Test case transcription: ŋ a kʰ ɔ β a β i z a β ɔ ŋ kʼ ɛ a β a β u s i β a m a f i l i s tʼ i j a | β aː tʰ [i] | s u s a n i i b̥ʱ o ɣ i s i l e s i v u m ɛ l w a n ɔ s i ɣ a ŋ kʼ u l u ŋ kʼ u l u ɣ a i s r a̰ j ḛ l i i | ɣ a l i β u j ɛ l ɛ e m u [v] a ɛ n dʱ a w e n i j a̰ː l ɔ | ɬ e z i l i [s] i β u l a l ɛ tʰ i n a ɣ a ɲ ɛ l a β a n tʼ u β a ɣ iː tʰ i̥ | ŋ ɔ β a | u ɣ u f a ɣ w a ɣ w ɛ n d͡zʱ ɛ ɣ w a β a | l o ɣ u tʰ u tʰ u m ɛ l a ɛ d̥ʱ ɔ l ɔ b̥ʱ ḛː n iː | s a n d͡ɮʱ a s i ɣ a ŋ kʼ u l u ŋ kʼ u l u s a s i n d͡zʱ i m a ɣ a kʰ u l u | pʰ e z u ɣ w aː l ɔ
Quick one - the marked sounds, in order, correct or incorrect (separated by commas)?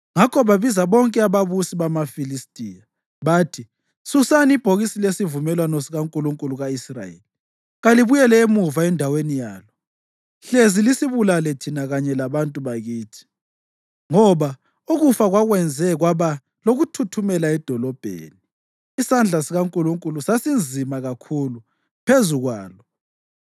correct, correct, correct